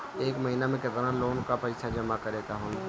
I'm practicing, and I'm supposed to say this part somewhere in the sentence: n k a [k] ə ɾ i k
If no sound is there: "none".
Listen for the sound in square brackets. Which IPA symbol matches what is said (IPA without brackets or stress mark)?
p